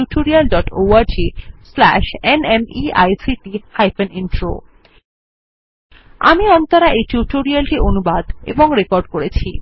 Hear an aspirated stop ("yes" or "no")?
yes